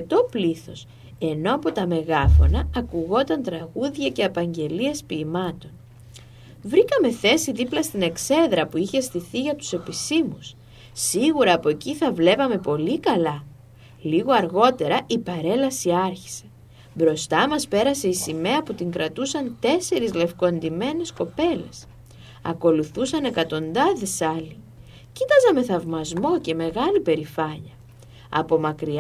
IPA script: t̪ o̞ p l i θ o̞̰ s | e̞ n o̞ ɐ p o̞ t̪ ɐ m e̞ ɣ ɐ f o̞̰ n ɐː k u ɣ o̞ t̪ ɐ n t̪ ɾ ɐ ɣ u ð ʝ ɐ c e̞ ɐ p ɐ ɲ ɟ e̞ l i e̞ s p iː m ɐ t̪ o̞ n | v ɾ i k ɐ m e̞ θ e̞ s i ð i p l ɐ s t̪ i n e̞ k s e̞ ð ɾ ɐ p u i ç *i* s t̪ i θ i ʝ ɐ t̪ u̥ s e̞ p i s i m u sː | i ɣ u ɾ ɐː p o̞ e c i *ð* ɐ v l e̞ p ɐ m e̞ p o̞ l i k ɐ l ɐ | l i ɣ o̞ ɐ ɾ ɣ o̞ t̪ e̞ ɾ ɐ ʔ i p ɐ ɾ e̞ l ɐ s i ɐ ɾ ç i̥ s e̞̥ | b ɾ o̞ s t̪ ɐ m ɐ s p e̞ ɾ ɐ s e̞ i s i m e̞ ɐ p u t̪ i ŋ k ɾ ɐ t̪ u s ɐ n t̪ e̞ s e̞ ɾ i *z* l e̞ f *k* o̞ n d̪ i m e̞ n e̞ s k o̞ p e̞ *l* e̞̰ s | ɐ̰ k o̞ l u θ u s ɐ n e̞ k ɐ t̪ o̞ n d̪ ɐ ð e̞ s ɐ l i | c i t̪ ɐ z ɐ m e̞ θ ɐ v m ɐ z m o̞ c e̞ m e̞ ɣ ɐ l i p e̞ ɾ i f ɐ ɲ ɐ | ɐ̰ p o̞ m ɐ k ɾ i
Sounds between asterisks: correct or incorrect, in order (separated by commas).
incorrect, incorrect, correct, correct, correct